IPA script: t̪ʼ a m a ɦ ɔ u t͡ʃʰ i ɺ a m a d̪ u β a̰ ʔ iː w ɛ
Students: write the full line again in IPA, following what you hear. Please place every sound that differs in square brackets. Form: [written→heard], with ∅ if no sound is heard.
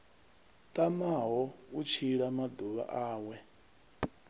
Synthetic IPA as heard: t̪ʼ a m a ɦ ɔ u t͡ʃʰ i ɺ a m a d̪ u β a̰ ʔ [iː→aː] w ɛ